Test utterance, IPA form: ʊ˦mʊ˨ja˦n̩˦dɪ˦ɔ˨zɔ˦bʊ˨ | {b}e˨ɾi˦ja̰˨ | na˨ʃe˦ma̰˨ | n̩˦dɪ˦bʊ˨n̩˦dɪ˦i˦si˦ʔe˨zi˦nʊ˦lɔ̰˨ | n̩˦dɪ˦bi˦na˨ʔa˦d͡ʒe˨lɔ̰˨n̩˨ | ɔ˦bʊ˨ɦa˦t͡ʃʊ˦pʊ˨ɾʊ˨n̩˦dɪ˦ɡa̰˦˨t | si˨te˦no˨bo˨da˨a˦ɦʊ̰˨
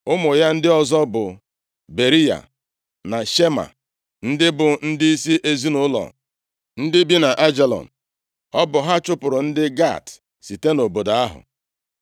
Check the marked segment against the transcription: correct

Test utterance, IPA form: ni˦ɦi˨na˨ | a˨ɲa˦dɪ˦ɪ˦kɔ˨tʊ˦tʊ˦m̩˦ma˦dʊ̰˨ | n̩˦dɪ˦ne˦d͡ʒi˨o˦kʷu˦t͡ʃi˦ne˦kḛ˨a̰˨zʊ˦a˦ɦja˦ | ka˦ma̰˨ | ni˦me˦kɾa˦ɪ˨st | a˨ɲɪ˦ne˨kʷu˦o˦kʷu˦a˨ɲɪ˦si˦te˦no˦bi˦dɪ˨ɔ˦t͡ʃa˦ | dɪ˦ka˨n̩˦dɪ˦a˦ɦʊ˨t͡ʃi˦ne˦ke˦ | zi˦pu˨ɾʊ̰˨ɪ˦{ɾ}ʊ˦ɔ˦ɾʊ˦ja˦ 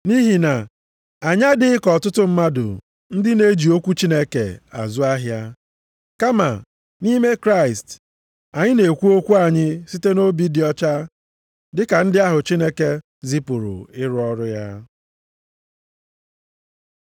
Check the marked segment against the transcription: correct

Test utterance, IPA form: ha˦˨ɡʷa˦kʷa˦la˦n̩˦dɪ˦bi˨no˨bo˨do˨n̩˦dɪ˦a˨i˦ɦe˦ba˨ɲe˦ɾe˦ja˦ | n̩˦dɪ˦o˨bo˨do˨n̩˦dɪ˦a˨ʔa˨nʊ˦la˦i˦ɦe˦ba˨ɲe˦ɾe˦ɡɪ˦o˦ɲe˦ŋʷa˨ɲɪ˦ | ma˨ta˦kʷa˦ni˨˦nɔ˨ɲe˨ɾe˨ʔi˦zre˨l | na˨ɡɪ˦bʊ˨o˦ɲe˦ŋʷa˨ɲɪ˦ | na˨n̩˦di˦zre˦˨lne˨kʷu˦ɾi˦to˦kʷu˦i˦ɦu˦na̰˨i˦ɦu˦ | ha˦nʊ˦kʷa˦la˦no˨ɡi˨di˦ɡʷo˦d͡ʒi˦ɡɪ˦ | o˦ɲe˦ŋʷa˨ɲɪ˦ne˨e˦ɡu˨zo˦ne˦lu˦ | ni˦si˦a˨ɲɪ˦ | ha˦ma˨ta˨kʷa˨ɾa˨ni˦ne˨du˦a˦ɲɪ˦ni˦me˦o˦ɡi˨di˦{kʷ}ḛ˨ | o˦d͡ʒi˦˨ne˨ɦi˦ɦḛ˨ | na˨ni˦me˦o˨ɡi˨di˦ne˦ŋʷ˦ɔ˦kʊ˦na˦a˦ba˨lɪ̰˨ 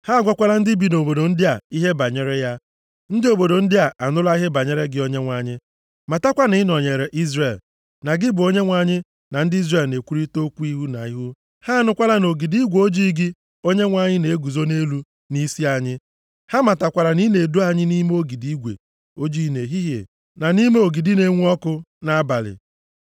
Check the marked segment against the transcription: incorrect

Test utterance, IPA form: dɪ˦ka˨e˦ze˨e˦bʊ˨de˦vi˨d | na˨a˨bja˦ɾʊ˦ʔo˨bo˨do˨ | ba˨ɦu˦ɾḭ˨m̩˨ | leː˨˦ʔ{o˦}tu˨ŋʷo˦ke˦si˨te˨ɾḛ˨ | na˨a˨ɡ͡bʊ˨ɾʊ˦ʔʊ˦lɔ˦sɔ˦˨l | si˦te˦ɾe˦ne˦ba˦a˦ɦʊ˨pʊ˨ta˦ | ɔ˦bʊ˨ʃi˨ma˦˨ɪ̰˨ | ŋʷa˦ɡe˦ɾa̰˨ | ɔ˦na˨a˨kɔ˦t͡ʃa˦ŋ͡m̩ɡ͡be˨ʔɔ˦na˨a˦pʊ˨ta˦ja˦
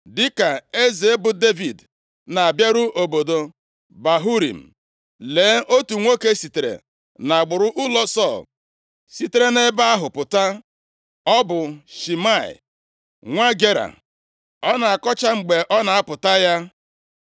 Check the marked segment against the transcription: correct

